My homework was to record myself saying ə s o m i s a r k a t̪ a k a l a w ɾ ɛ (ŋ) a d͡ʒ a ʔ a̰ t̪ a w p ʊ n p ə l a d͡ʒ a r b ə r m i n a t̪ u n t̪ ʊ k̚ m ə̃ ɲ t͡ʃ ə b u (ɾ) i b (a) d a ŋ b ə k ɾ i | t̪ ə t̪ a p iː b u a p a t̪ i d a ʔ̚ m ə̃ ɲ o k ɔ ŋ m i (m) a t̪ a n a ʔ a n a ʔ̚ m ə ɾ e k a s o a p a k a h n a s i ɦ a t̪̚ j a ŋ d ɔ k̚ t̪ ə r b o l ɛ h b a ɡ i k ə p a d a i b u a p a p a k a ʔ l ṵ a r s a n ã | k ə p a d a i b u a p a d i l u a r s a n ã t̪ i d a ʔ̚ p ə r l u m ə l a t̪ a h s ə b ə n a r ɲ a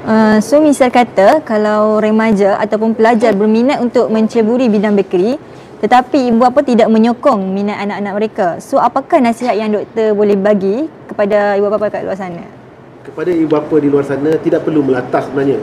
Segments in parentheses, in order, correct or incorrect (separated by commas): incorrect, correct, incorrect, incorrect